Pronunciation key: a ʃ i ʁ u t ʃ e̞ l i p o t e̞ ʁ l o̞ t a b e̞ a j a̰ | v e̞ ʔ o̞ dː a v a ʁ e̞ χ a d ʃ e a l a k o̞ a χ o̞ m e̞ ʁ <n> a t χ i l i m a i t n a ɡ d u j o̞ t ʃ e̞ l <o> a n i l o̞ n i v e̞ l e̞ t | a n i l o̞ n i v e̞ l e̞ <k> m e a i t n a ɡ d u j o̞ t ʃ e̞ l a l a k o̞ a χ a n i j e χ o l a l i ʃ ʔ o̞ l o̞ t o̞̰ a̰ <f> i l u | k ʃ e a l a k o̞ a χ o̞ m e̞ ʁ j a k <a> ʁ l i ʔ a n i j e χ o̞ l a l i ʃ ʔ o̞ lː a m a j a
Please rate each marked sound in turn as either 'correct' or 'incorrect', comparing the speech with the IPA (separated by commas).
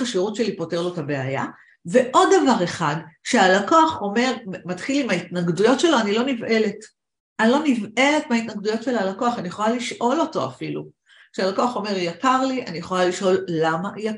incorrect, correct, incorrect, correct, correct